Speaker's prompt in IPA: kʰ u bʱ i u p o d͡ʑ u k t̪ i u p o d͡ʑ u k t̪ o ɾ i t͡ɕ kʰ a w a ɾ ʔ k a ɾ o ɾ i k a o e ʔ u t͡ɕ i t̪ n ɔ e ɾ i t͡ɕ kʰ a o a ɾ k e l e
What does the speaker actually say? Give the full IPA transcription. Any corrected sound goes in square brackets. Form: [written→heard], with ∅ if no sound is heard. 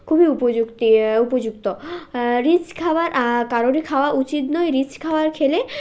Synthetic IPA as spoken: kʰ u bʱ i u p o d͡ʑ u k t̪ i u p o d͡ʑ u k t̪ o ɾ i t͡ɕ kʰ a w a ɾ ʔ k a ɾ o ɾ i [k→kʰ] a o [e→a] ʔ u t͡ɕ i t̪ n ɔ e ɾ i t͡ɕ kʰ a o a ɾ [k→kʰ] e l e